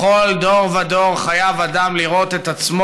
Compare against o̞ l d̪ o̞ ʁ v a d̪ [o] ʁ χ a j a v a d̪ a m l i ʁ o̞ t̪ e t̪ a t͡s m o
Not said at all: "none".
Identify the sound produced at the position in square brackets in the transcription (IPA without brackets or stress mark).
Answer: o